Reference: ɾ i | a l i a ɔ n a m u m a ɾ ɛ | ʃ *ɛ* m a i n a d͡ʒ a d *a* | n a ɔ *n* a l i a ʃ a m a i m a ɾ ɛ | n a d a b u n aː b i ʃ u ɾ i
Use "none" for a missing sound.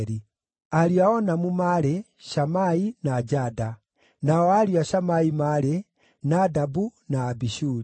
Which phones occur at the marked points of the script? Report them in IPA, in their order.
a, a, none

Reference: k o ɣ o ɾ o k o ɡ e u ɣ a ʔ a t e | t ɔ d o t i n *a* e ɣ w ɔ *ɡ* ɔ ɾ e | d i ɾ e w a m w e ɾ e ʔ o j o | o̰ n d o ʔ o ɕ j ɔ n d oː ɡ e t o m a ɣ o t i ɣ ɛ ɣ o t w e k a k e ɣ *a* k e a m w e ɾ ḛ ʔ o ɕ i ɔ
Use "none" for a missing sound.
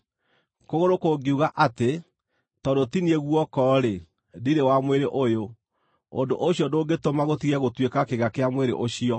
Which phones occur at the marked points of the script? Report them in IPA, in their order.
i, k, a

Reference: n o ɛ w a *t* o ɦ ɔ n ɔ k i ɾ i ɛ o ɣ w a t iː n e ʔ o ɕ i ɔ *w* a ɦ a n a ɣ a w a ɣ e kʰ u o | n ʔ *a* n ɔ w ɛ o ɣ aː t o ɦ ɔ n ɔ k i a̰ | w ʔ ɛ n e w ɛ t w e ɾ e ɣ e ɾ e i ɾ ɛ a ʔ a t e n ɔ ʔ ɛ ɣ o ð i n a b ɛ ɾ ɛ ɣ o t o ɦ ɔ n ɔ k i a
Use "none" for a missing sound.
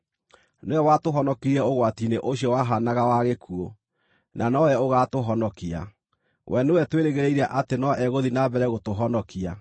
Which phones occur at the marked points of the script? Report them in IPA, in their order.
t, w, a

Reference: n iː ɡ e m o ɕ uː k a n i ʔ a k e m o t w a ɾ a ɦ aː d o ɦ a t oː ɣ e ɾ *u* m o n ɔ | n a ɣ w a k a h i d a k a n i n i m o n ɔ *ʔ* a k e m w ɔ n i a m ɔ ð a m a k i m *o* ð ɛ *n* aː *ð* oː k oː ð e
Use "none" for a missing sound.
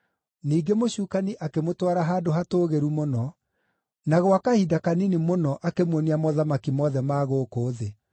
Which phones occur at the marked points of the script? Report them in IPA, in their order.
u, ʔ, ɔ, m, ɣ

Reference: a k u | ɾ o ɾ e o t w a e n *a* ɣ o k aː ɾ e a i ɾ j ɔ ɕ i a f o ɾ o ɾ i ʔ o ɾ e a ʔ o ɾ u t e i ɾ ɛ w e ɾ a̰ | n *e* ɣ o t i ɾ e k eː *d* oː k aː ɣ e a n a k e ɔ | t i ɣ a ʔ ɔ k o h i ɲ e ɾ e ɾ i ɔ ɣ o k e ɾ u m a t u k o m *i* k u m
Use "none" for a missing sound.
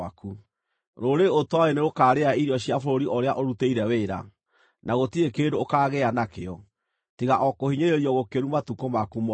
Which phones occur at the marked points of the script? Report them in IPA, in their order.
e, a, d, a

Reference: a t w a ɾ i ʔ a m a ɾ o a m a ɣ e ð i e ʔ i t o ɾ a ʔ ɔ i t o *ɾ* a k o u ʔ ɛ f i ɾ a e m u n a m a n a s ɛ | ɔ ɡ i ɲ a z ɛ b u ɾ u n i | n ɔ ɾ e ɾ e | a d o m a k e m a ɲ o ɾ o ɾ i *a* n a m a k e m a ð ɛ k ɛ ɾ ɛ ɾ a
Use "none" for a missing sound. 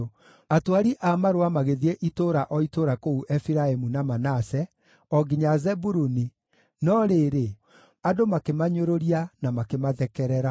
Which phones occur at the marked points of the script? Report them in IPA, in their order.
ɾ, a

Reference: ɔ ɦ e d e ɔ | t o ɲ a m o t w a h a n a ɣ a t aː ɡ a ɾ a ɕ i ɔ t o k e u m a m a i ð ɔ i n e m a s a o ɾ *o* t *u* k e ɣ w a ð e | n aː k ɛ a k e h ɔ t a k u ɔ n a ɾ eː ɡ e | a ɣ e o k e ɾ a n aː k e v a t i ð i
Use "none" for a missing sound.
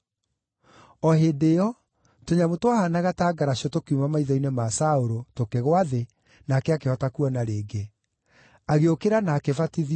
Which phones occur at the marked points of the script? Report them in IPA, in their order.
o, o

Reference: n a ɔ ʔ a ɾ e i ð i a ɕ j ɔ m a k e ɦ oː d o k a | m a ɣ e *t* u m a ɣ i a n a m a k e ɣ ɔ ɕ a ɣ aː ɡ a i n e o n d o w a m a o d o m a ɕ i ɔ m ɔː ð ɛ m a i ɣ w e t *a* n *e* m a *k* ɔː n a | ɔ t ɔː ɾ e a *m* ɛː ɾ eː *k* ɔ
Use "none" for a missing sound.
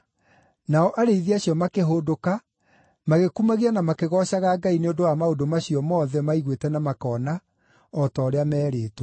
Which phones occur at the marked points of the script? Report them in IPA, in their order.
k, ɛ, a, k, m, t

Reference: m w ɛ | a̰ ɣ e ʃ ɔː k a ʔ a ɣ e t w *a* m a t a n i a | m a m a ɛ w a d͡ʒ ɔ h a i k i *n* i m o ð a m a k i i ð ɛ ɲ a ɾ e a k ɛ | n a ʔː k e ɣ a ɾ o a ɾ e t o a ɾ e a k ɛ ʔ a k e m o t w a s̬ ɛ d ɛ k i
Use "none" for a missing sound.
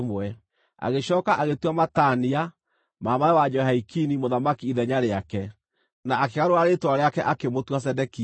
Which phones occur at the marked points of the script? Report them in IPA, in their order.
a, n

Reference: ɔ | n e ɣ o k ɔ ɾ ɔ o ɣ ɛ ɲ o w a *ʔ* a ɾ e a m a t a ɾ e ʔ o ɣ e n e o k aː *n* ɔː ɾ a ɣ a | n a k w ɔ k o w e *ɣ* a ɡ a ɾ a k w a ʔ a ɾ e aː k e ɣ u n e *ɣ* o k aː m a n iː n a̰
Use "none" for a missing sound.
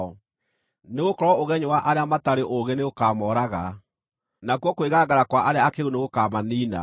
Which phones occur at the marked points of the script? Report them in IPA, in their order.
ʔ, m, ɣ, ɣ

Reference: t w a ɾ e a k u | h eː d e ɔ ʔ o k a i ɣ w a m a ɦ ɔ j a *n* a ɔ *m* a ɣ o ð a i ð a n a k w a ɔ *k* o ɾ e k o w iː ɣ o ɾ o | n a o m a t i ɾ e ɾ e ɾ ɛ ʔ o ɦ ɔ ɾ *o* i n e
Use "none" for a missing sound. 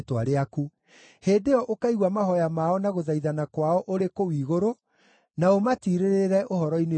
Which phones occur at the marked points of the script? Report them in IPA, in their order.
m, n, ʔ, ɔ

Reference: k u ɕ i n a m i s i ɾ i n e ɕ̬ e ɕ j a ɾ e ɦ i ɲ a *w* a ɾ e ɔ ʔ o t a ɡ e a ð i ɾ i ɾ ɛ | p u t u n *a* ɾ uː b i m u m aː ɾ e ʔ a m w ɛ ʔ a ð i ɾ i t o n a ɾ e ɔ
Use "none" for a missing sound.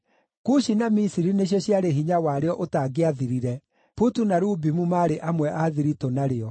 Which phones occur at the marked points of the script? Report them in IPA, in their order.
w, a

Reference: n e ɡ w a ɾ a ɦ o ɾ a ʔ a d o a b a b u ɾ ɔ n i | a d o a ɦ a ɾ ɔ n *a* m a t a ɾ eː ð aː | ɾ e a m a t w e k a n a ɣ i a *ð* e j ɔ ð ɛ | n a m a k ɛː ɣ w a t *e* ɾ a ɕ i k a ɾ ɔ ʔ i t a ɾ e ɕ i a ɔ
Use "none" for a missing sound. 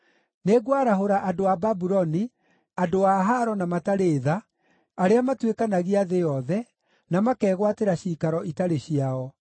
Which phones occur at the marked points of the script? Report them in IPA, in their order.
a, ð, e

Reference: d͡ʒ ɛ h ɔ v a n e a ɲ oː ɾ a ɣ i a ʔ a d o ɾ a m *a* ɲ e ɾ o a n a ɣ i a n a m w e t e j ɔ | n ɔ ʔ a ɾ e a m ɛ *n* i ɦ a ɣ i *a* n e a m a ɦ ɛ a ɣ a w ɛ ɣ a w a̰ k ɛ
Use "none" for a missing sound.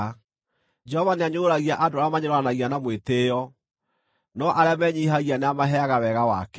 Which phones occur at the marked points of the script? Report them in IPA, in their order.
a, ɲ, a

